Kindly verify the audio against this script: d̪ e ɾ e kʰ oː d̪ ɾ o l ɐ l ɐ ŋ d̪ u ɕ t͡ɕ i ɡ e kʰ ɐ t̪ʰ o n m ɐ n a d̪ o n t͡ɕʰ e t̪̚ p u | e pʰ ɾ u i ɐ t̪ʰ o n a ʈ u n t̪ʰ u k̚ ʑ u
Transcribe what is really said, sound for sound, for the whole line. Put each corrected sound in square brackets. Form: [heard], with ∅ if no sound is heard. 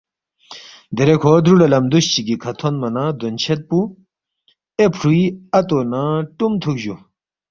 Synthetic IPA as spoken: d̪ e ɾ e kʰ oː d̪ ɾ [u] l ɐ l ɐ [m] d̪ u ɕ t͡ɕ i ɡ [i] kʰ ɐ t̪ʰ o n m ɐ n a d̪ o n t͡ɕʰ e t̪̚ p u | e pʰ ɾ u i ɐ [t̪] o n a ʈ u [m] t̪ʰ u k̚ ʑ u